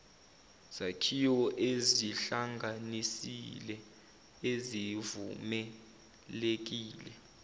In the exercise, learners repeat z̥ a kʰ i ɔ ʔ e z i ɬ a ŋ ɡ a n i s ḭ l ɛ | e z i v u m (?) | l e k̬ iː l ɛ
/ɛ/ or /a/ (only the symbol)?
ɛ